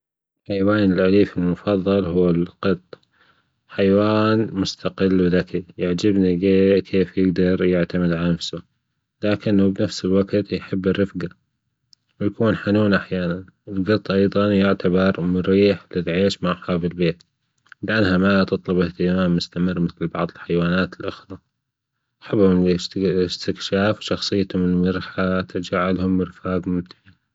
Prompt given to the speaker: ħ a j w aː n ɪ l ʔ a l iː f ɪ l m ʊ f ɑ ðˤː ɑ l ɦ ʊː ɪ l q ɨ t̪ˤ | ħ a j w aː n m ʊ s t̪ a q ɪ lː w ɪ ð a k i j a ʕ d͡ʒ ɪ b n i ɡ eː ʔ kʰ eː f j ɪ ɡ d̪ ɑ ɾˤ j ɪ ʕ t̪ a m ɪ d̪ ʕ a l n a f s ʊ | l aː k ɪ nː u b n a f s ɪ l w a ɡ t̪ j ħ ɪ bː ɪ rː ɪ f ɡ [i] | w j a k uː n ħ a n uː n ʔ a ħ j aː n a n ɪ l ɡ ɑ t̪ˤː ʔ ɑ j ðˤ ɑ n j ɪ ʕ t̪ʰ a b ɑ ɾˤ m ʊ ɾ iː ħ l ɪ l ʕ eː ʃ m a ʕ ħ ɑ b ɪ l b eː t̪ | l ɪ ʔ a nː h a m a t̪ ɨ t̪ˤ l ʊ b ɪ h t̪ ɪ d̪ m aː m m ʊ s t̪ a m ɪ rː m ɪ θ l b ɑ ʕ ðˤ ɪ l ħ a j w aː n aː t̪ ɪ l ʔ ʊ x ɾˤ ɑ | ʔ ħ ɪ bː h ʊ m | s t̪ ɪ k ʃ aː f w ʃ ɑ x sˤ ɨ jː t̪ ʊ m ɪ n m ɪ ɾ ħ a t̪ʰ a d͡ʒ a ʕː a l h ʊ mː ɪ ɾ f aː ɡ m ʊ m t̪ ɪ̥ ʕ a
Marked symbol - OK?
no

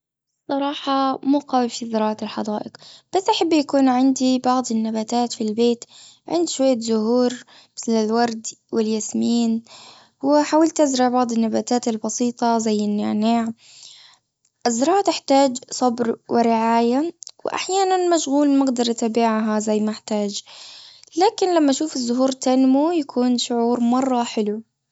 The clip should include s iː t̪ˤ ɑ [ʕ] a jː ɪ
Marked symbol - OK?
no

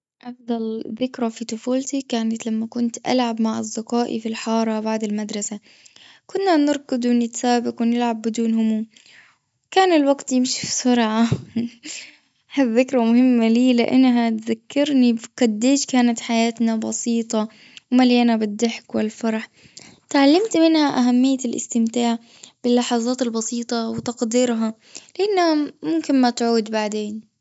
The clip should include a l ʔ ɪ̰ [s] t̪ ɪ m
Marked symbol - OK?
yes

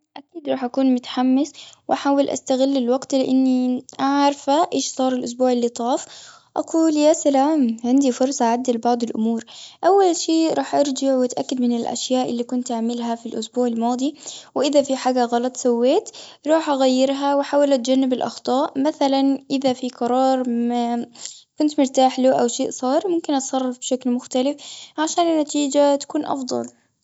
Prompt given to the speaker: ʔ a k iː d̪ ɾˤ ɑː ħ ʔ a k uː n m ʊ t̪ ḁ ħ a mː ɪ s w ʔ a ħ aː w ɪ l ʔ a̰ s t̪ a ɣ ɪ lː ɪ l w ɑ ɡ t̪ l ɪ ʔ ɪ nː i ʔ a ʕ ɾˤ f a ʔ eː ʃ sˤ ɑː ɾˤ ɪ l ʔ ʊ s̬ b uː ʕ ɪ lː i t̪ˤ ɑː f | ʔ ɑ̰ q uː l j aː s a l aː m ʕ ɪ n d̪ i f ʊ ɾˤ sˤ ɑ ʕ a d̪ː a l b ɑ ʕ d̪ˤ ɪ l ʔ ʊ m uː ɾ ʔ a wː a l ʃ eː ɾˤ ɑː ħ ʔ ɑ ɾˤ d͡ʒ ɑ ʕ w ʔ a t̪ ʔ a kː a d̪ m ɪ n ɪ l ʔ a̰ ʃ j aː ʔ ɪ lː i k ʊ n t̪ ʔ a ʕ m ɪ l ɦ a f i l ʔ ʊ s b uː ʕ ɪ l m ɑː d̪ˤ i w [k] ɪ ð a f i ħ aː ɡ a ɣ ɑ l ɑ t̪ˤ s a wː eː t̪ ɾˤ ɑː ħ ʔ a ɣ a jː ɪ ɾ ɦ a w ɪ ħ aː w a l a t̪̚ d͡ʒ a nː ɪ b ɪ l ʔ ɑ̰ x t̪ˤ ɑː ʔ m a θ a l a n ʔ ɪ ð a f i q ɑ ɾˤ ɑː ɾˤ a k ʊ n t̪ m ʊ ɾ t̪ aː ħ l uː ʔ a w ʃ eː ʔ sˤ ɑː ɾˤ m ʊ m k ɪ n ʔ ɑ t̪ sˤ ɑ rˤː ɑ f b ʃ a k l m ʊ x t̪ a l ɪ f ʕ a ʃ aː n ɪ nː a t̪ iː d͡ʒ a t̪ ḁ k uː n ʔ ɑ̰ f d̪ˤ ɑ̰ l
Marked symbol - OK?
no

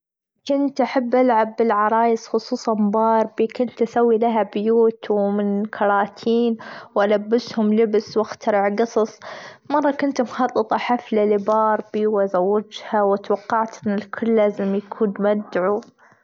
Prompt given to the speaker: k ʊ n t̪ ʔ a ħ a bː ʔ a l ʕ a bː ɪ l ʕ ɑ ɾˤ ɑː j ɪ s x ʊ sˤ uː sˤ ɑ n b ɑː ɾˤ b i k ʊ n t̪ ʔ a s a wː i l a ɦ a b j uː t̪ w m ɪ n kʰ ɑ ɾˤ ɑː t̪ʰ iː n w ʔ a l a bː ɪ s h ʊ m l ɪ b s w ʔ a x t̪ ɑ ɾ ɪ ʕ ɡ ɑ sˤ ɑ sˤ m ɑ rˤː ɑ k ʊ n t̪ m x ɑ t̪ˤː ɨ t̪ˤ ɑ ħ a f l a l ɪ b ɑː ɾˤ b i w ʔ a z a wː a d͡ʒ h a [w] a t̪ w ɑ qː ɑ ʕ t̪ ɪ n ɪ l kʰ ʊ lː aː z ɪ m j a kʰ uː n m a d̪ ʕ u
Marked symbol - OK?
yes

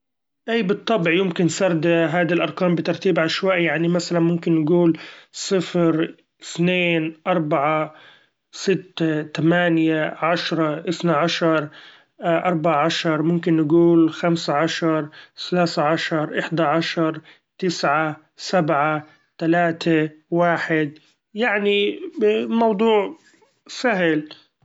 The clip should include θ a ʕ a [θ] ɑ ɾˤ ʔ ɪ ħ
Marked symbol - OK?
no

